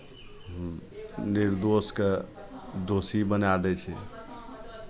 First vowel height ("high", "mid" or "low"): high